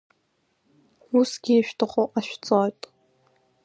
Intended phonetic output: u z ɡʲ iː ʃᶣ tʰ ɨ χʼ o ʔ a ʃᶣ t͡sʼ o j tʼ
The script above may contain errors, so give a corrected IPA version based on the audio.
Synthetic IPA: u s ɡʲ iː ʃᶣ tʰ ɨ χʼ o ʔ a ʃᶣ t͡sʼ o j tʼ